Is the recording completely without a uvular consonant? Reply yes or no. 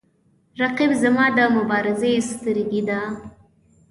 no